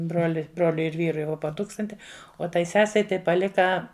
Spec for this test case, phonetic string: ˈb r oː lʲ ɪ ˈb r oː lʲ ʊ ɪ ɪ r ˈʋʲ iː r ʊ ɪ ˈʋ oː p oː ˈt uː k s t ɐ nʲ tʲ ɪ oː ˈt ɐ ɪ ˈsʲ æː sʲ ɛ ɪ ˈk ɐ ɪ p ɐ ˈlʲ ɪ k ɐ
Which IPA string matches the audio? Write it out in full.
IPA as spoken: ˈb r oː lʲ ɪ ˈb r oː lʲ ʊ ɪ ɪ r ˈʋʲ iː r ʊ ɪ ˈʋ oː p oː ˈt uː k s t ɐ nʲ tʲ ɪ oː ˈt ɐ ɪ ˈsʲ æː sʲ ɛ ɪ ˈt ɐ ɪ p ɐ ˈlʲ ɪ k ɐ